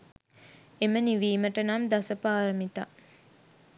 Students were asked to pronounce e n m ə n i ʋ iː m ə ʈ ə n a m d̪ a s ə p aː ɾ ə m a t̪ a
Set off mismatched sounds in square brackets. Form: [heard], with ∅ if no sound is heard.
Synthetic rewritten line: e [∅] m ə n i ʋ iː m ə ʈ ə n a m d̪ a s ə p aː ɾ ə m [i] t̪ a